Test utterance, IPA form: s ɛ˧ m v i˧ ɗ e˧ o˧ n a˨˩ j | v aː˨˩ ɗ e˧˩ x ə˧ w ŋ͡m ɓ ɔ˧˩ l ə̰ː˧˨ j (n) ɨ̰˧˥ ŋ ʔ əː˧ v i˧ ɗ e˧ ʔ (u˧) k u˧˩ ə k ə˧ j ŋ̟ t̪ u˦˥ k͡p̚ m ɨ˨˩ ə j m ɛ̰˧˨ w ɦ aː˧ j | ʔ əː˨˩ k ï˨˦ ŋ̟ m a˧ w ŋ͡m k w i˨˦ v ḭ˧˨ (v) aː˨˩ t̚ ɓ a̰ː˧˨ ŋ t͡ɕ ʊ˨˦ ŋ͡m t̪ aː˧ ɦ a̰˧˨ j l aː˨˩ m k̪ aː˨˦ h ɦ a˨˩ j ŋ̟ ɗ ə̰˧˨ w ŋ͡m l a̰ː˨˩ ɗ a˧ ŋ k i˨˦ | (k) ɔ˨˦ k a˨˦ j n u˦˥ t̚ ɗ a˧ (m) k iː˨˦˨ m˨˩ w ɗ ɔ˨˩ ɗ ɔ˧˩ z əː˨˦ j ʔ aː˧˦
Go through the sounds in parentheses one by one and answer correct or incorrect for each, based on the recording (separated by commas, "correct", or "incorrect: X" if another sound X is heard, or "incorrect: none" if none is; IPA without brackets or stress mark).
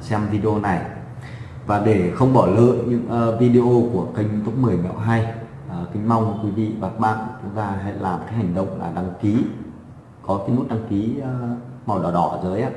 incorrect: ɲ, incorrect: o˧, correct, correct, incorrect: ŋ